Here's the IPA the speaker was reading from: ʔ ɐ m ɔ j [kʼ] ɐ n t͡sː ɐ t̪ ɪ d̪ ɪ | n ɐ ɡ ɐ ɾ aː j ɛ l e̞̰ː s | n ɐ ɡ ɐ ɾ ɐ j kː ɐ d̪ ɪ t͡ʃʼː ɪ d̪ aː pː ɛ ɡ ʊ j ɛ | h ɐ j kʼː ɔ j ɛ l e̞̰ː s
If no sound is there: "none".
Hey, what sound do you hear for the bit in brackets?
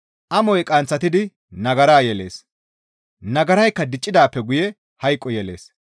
kʼ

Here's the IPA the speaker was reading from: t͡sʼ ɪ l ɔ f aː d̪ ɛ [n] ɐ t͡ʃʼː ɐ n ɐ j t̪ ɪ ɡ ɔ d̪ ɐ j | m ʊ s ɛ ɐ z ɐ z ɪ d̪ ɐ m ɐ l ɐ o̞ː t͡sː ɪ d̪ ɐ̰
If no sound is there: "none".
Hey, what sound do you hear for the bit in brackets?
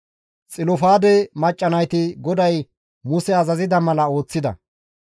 m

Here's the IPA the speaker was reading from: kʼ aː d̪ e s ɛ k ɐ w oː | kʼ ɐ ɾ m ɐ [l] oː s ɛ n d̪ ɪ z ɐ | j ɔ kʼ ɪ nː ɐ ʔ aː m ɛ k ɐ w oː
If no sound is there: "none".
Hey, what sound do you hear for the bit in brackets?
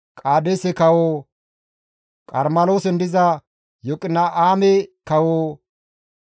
l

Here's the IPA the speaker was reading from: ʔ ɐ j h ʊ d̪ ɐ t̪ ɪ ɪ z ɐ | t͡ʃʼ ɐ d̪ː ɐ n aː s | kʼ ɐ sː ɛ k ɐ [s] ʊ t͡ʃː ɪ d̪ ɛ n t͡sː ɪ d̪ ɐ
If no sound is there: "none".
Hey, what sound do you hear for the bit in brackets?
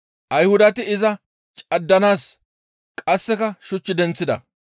ʃ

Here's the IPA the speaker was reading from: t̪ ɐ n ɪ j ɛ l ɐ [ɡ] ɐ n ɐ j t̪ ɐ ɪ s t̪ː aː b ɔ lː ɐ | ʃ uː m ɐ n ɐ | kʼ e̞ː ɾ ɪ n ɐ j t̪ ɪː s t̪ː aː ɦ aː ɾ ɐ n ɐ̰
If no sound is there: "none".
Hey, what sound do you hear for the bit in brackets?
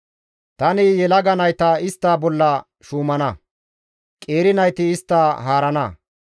ɡ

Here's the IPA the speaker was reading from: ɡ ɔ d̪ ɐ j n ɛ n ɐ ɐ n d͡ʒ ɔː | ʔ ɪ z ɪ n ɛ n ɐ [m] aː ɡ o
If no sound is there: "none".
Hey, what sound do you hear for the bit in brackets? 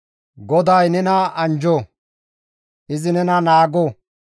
n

